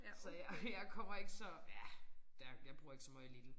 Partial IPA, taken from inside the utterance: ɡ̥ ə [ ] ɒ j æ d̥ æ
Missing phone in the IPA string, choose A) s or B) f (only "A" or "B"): A